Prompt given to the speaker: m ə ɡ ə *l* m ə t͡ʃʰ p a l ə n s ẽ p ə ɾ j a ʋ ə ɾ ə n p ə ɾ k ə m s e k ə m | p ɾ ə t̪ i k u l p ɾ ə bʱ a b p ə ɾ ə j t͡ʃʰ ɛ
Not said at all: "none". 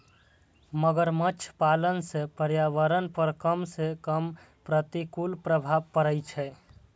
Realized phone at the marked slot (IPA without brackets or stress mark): ɾ